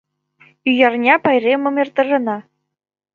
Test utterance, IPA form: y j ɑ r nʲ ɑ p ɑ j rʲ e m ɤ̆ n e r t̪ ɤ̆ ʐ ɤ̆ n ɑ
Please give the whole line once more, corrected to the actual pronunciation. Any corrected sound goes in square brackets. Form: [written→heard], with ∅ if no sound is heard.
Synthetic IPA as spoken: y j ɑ r nʲ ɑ p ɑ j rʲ e m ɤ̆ [n→m] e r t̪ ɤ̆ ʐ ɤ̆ n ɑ